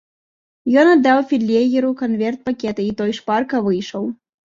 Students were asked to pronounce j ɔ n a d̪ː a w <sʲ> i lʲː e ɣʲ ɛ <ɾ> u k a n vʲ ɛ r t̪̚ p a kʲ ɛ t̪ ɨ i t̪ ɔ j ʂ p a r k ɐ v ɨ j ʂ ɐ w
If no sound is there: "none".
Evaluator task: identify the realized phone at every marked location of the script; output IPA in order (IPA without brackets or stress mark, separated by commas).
fʲ, ɾ